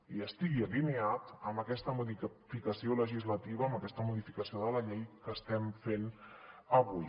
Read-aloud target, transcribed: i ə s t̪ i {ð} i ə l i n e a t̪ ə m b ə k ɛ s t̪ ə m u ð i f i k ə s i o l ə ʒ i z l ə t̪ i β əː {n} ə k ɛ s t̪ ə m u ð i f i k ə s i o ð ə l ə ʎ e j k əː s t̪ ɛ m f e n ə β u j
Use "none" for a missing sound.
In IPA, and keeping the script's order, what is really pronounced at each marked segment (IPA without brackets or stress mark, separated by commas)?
ɣ, m